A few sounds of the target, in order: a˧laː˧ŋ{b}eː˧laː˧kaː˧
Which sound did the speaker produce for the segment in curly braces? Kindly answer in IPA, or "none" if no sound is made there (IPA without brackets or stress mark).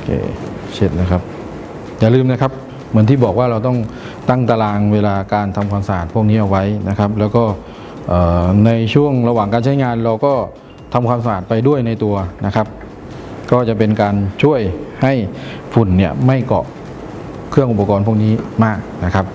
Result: w